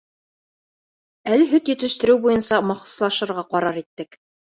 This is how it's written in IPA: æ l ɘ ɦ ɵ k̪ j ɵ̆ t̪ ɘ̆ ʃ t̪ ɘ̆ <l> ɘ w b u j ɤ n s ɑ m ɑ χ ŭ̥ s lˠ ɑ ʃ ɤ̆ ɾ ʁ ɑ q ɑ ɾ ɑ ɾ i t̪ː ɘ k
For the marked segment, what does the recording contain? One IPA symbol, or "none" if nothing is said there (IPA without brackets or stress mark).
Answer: ɾ